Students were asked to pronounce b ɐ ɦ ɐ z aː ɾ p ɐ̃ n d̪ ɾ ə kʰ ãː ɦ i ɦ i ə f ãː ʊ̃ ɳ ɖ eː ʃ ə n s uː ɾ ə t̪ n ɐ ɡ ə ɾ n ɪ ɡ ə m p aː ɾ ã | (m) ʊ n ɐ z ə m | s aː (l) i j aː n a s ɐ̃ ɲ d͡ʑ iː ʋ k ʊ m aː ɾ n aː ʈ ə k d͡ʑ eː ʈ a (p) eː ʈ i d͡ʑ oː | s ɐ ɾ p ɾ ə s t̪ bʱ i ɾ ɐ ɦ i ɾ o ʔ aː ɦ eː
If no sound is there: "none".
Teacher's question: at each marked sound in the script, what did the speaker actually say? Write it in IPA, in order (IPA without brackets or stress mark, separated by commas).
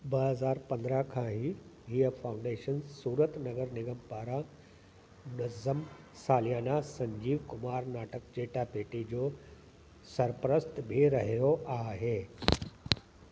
m, l, p